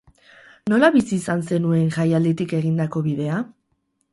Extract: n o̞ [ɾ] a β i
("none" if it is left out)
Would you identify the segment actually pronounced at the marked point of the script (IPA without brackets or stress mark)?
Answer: l